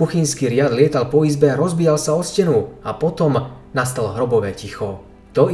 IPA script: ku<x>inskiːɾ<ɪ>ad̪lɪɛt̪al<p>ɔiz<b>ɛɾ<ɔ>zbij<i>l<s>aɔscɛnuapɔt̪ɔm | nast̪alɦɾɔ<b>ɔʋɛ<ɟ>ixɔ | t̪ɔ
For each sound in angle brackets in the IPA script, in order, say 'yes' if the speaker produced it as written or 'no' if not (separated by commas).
yes, yes, yes, yes, yes, no, yes, yes, no